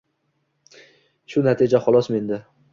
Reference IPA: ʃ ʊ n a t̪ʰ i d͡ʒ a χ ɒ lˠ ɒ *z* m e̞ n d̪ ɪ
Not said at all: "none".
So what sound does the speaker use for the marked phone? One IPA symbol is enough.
s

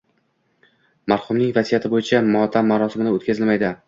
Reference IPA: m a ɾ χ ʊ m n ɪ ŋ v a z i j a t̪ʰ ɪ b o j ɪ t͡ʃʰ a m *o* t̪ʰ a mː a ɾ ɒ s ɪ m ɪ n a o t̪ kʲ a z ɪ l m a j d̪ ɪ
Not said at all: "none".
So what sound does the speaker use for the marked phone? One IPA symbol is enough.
ɒ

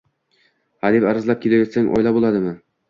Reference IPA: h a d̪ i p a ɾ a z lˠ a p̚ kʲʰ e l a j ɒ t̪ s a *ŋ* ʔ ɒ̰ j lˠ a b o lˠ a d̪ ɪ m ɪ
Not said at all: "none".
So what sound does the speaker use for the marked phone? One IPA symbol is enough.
ŋ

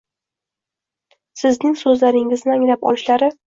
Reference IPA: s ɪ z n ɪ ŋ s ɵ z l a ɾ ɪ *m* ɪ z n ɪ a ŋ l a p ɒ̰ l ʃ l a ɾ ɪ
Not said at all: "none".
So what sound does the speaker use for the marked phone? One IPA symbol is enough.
ŋ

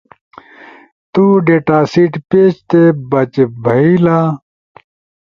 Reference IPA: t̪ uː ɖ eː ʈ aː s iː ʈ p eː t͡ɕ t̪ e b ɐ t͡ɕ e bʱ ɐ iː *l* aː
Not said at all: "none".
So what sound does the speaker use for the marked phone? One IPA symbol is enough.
l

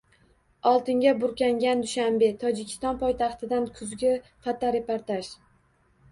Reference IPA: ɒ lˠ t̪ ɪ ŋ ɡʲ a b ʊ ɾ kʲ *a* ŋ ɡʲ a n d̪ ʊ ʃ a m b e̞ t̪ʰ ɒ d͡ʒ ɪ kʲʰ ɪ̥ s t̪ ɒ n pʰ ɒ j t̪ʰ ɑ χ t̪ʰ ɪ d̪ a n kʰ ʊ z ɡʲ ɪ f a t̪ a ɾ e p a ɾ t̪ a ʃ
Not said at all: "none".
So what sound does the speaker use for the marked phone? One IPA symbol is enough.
a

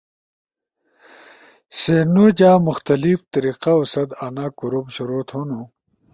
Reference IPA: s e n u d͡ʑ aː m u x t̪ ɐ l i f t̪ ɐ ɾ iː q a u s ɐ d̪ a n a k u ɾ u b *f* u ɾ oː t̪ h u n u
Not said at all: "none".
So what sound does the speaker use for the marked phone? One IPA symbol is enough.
ɕ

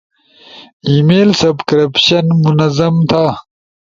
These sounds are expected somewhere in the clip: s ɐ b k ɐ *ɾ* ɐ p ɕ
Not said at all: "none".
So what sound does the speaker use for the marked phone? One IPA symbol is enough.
ɾ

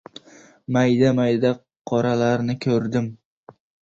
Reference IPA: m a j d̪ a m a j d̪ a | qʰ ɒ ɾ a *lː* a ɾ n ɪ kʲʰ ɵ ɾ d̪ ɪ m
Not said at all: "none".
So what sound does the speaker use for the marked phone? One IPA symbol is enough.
l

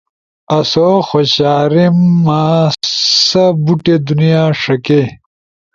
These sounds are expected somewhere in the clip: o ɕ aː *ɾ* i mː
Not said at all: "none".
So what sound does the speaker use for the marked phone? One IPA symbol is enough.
ɾ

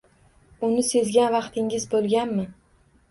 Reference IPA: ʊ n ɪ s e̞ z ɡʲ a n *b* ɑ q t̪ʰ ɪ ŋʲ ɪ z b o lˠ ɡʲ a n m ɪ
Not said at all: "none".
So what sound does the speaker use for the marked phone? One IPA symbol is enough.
v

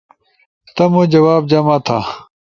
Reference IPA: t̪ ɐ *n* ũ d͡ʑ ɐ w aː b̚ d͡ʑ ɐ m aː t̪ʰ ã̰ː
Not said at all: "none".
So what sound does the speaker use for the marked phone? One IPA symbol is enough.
m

